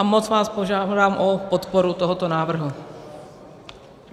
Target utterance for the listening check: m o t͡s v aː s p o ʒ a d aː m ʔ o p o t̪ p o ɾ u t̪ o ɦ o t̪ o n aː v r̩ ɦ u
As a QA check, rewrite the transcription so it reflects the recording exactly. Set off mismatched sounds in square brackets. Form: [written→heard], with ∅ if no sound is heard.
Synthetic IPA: m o t͡s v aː s p o ʒ a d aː m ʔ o p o t̪ p o ɾ u t̪ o ɦ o t̪ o n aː v r̩ ɦ u